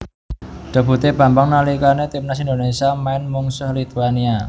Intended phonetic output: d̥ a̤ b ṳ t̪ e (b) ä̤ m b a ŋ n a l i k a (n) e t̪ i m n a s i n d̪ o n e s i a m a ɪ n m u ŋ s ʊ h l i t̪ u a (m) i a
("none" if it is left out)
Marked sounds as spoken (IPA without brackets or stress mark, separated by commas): b, n, n